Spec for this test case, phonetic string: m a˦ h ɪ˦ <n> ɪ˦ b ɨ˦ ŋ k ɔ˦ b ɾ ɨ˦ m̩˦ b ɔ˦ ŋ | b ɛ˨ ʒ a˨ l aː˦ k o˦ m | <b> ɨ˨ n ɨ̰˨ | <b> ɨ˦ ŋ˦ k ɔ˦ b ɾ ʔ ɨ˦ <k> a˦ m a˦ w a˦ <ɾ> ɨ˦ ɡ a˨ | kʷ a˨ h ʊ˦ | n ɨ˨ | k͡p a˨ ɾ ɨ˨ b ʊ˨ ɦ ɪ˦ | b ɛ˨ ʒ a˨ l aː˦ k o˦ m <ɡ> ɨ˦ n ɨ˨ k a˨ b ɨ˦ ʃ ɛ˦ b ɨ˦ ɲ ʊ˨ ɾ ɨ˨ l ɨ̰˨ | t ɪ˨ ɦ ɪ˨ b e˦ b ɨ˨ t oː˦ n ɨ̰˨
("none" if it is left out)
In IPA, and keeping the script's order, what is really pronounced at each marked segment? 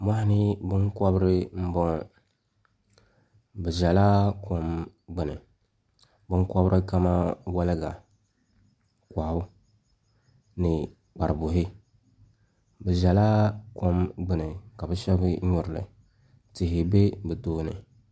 n, ɡ͡b, b, k, l, ɡ͡b

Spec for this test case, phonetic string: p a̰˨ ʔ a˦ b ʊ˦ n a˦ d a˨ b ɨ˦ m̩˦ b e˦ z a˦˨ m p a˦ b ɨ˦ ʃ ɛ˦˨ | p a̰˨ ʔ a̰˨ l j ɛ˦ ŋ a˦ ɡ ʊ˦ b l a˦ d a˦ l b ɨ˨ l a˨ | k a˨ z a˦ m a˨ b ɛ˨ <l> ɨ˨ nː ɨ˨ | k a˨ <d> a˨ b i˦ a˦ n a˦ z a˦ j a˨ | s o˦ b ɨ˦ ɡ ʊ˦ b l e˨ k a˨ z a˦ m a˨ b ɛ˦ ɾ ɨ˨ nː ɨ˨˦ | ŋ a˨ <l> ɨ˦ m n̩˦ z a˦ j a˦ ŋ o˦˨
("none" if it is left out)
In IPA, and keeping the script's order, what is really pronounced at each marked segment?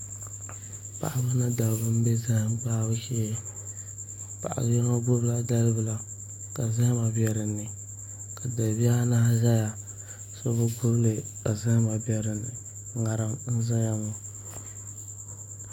ɾ, d, ɾ

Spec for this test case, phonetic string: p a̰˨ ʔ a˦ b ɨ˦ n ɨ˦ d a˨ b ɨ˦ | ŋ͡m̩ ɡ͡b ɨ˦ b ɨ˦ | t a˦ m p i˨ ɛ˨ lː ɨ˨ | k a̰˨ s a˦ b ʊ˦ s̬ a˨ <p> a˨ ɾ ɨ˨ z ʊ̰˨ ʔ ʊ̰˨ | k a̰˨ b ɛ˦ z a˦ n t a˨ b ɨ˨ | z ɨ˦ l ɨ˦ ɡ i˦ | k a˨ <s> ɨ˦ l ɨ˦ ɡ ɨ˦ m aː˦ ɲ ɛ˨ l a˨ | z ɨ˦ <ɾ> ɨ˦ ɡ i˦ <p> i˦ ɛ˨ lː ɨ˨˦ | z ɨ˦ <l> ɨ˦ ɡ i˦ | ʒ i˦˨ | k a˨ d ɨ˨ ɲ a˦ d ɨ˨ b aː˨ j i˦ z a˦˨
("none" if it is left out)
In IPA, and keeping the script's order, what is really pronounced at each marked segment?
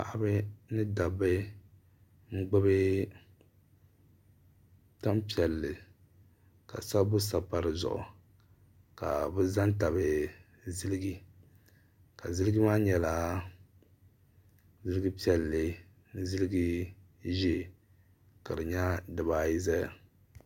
p, z, l, p, l

